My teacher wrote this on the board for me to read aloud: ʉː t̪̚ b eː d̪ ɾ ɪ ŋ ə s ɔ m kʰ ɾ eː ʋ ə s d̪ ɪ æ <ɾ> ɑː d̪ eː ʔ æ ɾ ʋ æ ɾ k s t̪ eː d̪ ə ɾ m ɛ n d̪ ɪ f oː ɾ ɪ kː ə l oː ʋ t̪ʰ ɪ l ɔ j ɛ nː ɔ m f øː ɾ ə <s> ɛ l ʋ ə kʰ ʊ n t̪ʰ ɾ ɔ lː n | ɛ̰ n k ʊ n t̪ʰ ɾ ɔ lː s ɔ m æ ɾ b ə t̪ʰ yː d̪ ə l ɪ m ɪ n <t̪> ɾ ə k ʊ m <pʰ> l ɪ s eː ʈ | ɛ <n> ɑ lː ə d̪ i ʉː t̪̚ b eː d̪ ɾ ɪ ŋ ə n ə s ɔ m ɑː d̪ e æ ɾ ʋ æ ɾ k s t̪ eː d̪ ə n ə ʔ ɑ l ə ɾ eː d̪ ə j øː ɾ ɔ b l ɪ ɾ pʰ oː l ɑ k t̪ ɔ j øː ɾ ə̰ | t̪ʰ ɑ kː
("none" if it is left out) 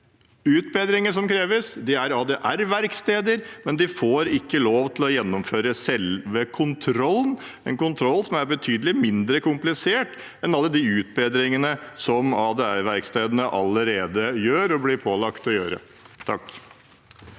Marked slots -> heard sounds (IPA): ɾ, s, d̪, p, n

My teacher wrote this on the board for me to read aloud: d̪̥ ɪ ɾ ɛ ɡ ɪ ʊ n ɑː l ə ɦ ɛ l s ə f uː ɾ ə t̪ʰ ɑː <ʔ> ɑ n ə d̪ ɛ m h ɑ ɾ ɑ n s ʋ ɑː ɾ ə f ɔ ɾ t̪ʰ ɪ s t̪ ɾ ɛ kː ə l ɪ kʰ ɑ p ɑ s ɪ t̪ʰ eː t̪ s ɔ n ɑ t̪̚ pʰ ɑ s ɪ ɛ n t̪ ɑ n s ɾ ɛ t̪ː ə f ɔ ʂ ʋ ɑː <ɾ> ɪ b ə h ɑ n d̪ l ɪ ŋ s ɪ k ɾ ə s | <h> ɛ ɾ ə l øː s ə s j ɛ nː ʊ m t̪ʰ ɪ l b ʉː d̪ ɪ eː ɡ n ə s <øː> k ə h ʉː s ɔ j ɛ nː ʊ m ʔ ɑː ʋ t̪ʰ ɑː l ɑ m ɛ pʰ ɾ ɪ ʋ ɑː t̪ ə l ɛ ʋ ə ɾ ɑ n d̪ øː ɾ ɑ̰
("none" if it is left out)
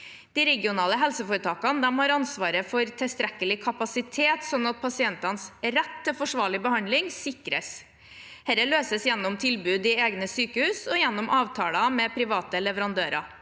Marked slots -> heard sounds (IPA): k, ɭ, h, yː

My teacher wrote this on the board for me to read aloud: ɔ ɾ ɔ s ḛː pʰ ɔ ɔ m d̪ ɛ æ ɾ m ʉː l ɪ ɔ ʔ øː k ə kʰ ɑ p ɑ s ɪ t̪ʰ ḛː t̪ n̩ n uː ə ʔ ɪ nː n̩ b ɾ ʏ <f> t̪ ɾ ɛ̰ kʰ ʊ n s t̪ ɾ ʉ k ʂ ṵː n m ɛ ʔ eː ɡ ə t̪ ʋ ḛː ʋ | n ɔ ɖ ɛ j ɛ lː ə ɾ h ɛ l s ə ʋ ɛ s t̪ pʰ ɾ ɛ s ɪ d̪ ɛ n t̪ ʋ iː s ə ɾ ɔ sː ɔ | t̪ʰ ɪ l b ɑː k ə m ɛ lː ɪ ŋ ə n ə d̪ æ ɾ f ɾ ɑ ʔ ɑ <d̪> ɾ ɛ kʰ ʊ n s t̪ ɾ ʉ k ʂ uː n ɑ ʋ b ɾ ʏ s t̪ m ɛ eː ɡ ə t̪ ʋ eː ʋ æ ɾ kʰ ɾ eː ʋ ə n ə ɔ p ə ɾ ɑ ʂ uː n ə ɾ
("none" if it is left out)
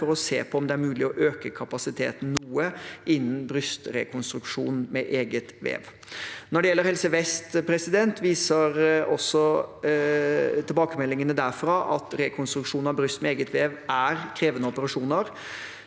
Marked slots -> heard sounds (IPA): s, t̪

